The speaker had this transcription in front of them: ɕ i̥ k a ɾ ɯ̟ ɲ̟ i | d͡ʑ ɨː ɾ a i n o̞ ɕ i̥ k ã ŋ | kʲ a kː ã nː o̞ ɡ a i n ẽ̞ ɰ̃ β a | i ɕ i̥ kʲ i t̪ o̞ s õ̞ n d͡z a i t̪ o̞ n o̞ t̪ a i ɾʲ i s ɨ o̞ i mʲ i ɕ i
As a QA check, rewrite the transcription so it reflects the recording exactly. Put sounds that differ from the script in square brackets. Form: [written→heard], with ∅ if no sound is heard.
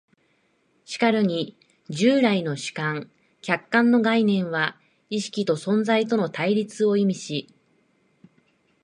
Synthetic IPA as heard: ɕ i̥ k a ɾ ɯ̟ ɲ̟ i | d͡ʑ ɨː ɾ a i n o̞ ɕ i̥ k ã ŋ | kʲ a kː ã nː o̞ ɡ a i n ẽ̞ ɰ̃ β a | i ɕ i̥ kʲ i t̪ o̞ s õ̞ n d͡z a i t̪ o̞ n o̞ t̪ a i ɾʲ i [s→t͡s] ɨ o̞ i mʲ i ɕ i